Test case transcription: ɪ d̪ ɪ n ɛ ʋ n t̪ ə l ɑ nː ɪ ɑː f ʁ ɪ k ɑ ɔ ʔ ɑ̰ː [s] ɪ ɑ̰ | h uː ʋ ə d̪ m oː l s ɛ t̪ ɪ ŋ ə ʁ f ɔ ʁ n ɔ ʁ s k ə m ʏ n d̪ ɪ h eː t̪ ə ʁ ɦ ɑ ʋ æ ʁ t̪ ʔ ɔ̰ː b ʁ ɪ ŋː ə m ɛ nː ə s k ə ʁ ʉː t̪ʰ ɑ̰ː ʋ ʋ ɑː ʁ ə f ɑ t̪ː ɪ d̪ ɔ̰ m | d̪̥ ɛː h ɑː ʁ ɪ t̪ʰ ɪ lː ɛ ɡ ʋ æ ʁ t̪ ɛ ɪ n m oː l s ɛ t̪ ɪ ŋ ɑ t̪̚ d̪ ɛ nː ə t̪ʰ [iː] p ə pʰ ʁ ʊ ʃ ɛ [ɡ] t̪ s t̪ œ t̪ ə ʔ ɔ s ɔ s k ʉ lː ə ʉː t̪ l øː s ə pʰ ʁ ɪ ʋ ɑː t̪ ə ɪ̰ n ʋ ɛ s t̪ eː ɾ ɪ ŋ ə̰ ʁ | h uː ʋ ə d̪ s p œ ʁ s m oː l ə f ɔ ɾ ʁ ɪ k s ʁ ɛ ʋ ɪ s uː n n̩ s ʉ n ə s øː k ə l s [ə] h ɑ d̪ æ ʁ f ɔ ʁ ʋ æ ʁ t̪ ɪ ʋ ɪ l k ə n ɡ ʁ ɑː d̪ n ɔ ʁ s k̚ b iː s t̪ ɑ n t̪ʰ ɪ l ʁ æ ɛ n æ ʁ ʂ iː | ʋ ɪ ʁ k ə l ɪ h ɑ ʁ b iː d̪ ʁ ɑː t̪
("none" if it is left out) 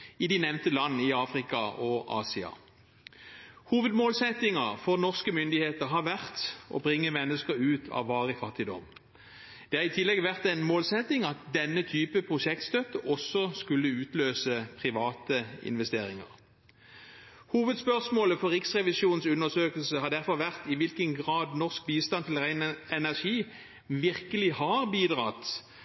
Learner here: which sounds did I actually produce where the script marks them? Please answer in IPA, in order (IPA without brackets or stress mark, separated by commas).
s, yː, k, ə